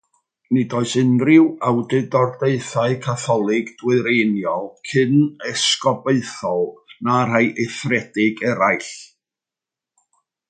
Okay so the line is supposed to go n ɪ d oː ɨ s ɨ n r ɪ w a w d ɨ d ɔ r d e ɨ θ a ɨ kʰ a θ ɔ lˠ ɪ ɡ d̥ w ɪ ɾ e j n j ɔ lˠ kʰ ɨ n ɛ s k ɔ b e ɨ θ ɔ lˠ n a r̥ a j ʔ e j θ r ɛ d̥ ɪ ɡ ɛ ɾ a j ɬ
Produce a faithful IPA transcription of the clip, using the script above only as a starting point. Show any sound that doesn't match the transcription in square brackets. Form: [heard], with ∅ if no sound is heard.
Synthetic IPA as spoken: n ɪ d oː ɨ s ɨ n r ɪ w a w d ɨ d ɔ r d e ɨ θ a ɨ kʰ a θ ɔ lˠ ɪ ɡ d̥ w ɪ ɾ e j n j ɔ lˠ kʰ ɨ n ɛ s k ɔ b e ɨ θ ɔ lˠ n a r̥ a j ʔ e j θ r ɛ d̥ ɪ ɡ ɛ ɾ a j ɬ